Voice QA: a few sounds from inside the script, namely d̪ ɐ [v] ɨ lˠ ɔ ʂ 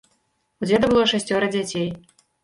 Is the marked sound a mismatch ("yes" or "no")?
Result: yes